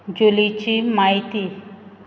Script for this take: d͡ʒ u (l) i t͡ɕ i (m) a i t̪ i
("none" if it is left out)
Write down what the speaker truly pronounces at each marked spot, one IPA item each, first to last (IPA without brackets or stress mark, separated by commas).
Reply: l, m